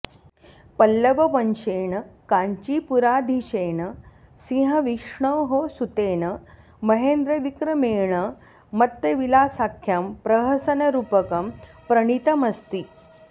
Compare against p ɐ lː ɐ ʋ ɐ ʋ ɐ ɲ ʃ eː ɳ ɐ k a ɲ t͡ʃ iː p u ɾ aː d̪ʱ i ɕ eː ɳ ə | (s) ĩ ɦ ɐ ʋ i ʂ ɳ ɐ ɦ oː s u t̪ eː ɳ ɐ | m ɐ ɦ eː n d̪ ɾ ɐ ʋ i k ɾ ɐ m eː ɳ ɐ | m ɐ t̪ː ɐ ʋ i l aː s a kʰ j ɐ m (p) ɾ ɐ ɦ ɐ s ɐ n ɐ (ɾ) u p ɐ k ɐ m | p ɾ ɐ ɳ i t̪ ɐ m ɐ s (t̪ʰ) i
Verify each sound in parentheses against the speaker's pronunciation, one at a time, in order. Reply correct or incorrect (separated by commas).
correct, correct, correct, incorrect